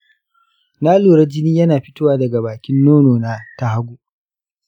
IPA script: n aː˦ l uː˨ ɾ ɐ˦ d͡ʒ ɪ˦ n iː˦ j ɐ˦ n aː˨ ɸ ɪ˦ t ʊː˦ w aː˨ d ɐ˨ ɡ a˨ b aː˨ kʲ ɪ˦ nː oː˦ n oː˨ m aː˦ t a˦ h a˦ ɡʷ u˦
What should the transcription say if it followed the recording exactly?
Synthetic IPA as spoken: n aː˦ l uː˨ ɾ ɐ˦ d͡ʒ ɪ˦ n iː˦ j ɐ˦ n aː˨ ɸ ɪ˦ t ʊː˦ w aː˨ d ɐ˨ ɡ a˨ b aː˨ kʲ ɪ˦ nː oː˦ n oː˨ n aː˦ t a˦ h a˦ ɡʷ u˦